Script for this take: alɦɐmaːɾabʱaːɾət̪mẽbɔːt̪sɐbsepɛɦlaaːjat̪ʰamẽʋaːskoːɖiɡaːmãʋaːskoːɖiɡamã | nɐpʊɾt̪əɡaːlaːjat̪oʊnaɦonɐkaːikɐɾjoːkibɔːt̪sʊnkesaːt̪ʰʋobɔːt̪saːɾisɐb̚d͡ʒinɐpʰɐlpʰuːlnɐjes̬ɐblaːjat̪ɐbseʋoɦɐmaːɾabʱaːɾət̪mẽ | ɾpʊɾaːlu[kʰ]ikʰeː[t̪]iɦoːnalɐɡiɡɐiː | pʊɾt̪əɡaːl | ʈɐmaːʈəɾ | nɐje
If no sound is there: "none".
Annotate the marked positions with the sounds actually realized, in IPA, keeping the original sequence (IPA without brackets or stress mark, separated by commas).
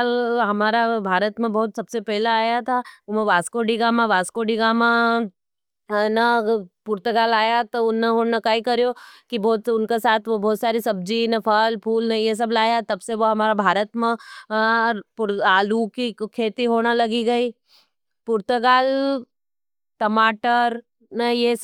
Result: k, t̪